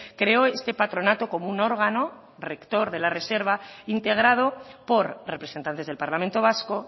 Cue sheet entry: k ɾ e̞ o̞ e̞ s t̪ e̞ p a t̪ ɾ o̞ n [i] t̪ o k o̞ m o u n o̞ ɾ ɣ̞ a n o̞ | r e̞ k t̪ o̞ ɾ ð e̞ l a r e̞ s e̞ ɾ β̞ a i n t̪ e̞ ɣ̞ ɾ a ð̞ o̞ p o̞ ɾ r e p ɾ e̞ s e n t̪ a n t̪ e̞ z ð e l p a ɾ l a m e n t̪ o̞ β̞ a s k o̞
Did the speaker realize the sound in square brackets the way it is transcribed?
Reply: no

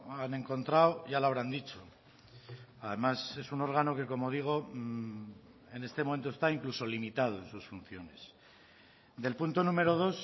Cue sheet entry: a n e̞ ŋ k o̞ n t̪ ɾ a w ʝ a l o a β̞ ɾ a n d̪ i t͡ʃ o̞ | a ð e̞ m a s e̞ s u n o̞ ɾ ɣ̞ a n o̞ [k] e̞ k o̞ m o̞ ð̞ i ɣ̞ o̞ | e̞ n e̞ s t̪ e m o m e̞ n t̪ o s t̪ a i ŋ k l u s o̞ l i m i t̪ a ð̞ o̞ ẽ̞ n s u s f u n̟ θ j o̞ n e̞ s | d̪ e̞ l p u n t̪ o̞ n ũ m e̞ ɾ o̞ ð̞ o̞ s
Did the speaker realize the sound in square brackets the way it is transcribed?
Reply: yes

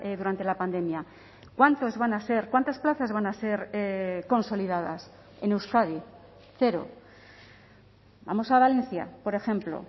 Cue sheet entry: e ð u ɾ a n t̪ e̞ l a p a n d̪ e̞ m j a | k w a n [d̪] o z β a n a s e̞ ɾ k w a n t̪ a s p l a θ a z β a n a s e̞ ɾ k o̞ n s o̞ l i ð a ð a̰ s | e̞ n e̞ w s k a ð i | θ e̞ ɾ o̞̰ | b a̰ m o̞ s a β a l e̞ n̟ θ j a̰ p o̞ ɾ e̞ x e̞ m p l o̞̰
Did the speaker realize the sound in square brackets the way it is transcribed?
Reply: no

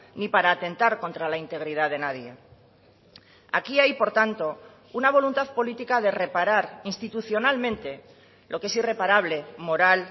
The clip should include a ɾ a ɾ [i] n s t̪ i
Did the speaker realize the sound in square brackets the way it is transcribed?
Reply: yes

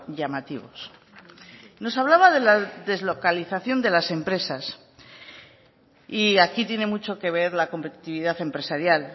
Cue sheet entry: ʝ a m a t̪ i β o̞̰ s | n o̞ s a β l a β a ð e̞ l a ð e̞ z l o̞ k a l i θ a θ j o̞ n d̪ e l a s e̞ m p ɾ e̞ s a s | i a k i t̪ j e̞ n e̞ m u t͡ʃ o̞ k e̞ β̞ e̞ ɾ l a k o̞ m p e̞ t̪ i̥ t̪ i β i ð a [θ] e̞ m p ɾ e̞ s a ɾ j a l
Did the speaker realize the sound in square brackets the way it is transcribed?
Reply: yes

